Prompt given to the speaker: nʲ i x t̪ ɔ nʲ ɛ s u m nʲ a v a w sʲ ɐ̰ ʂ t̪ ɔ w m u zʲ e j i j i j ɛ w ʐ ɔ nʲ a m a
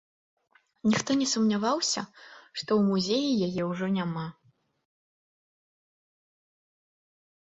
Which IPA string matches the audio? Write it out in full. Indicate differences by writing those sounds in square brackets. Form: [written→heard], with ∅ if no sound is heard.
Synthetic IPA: nʲ i x t̪ ɔ nʲ ɛ s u m nʲ a v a w sʲ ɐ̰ ʂ t̪ ɔ w m u zʲ e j i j [i→a] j ɛ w ʐ ɔ nʲ a m a